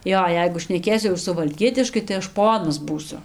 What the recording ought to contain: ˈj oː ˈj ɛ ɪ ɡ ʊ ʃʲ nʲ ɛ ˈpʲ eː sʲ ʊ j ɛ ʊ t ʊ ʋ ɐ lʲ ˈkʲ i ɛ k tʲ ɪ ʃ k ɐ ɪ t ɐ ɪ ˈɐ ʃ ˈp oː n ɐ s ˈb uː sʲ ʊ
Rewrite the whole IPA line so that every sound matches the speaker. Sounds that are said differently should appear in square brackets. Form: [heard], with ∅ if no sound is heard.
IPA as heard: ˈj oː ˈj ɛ ɪ ɡ ʊ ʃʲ nʲ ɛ [ˈkʲ] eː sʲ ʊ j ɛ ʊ [s] ʊ ʋ ɐ lʲ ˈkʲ i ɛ [∅] tʲ ɪ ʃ k ɐ ɪ t ɐ ɪ ˈɐ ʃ ˈp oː n ɐ s ˈb uː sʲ ʊ

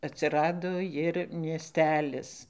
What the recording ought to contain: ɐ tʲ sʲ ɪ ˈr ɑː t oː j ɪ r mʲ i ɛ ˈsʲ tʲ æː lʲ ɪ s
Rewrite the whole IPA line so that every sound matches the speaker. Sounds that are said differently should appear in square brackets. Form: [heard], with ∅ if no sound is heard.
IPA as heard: ɐ tʲ sʲ ɪ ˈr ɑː [d] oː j ɪ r mʲ i ɛ ˈsʲ tʲ æː lʲ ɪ s

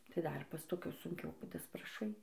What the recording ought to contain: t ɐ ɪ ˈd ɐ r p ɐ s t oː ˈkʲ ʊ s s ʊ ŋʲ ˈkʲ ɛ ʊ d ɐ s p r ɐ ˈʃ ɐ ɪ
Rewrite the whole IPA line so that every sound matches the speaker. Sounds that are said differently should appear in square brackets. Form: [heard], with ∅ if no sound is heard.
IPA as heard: t ɐ ɪ ˈd ɐ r p ɐ s t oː ˈkʲ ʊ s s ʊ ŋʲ ˈkʲ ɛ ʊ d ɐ s p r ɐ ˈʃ ɐ ɪ

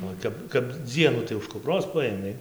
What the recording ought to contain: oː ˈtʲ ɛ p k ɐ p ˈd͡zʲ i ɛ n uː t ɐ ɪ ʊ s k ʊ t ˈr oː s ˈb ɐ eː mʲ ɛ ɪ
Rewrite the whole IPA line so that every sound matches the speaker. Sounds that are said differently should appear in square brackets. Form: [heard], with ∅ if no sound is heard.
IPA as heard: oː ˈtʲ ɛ p k ɐ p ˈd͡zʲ i ɛ n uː t ɐ ɪ ʊ [ʃ] k ʊ [p] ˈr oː s [ˈp] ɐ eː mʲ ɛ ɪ

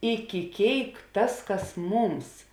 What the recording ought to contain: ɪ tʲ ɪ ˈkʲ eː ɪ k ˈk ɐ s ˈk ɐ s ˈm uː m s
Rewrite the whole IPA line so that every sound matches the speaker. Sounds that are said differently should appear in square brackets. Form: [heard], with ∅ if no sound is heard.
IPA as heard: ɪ [kʲ] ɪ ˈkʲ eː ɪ k [ˈt] ɐ s ˈk ɐ s ˈm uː m s

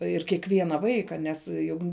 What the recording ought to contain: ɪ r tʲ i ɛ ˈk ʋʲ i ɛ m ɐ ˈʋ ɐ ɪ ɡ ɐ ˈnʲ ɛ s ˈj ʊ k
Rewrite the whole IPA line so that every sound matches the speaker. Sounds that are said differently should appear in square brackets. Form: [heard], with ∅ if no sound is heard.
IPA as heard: ɪ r [kʲ] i ɛ ˈk ʋʲ i ɛ [n] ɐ ˈʋ ɐ ɪ [k] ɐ ˈnʲ ɛ s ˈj ʊ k

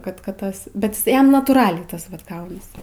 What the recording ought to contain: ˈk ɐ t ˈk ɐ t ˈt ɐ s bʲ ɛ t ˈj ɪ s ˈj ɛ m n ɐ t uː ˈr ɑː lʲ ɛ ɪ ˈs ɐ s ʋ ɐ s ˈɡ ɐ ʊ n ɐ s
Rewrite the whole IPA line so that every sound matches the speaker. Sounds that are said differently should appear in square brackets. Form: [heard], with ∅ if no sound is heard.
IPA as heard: ˈk ɐ t ˈk ɐ t ˈt ɐ s bʲ ɛ t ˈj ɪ s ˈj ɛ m n ɐ t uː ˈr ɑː lʲ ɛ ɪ [ˈt] ɐ s ʋ ɐ [t] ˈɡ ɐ ʊ n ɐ s

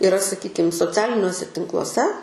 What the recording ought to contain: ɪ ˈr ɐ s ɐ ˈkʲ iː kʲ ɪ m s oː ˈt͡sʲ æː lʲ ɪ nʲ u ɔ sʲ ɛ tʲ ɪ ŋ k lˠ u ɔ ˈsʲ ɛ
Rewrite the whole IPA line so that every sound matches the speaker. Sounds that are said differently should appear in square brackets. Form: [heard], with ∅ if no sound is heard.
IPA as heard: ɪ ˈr ɐ s ɐ ˈkʲ iː kʲ ɪ m s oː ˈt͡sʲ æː lʲ ɪ nʲ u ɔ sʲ ɛ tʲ ɪ ŋ k lˠ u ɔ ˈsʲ ɛ

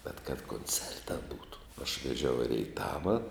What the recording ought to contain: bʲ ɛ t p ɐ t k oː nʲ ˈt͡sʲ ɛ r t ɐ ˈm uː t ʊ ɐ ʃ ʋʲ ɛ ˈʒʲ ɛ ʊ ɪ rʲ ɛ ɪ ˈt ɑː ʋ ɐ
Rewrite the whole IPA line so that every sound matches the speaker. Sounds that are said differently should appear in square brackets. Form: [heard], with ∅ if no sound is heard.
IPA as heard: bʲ ɛ t [k] ɐ t k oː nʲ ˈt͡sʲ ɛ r t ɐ [ˈb] uː t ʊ ɐ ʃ ʋʲ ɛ ˈʒʲ ɛ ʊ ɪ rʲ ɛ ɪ ˈt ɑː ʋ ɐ

